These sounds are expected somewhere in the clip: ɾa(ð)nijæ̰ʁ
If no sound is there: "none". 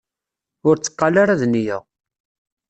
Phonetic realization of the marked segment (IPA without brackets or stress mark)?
ð